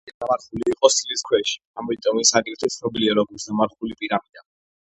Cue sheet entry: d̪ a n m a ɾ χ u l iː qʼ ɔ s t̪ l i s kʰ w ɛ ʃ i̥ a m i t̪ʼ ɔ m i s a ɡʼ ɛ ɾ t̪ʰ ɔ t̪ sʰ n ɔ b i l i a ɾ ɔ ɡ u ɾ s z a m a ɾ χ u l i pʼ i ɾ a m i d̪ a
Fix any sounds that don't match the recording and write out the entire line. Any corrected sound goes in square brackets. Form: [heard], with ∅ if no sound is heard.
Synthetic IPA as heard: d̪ a [∅] m a ɾ χ u l iː qʼ ɔ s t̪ l i s kʰ w ɛ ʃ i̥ a m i t̪ʼ ɔ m i s a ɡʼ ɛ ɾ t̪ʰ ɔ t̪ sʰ n ɔ b i l i a ɾ ɔ ɡ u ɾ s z a m a ɾ χ u l i pʼ i ɾ a m i d̪ a